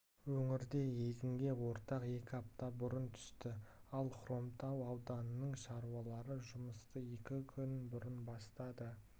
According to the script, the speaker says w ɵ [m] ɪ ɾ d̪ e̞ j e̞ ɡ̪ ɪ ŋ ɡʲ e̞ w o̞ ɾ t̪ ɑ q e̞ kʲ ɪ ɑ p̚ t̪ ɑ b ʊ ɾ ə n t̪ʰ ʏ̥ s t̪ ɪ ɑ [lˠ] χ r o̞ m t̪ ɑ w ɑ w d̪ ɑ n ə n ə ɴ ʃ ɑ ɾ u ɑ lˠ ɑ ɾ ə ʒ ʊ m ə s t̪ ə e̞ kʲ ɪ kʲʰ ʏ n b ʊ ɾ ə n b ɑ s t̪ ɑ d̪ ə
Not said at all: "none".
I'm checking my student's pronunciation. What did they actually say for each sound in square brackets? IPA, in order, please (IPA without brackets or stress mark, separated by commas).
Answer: ŋ, lˠ